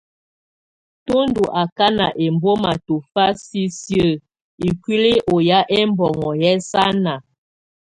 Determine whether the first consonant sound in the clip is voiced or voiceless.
voiceless